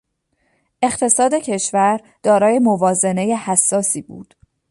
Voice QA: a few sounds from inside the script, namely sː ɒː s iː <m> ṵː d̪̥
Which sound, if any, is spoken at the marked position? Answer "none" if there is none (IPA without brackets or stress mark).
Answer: b